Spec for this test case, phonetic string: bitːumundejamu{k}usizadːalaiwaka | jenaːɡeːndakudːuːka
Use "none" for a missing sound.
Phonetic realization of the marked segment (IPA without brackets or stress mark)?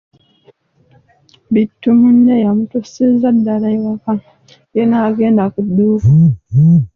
t